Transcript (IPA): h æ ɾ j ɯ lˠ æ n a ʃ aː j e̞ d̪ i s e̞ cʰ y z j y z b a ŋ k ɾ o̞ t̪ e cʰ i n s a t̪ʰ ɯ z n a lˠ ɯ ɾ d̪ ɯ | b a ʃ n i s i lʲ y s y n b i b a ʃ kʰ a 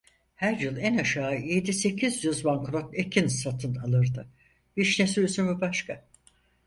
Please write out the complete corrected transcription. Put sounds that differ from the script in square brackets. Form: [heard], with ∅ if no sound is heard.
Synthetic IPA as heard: h æ ɾ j ɯ lˠ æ n a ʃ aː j e̞ d̪ i s e̞ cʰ [i] z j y z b a ŋ k ɾ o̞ t̪ e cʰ i n s a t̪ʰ ɯ [∅] n a lˠ ɯ ɾ d̪ ɯ | b [i] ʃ n [e] s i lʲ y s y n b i b a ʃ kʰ a